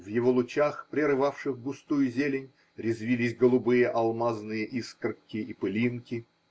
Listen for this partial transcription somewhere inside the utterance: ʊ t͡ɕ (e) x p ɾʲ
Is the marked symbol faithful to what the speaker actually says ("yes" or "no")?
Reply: no